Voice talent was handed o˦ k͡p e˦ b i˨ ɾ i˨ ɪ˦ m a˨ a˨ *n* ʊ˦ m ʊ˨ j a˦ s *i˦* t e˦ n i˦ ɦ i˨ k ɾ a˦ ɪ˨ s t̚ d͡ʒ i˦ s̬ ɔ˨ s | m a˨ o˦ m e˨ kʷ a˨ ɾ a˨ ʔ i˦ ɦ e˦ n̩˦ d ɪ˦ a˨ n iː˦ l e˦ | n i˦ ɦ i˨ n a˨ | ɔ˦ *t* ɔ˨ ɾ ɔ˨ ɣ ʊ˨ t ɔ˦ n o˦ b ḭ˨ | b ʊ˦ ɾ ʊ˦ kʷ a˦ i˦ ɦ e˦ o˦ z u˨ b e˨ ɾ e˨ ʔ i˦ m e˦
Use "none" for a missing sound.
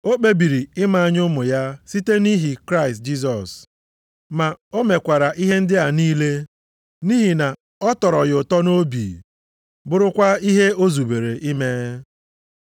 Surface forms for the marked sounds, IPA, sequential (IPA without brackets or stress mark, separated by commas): ɲ, i˦, t